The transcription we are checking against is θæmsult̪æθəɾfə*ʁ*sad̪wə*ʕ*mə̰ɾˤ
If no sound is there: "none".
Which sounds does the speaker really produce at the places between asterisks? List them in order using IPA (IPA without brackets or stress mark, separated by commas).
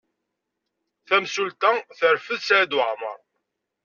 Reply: ð, ʕ